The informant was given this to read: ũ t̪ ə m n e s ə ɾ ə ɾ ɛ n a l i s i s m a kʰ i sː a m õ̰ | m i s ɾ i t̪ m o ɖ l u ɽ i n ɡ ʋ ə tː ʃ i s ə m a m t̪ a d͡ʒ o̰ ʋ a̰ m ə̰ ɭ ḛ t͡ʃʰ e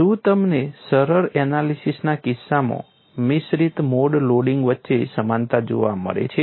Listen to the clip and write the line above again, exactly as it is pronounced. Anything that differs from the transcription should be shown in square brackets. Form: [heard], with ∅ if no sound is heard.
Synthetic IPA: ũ t̪ ə m n e s ə ɾ ə ɾ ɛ n a l i s i s [n] a [k] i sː a m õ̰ | m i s ɾ i t̪ m o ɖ l [o] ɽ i [ŋ] ɡ ʋ ə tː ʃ [e] s ə m a [n] t̪ a d͡ʒ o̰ ʋ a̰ m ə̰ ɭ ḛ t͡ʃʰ e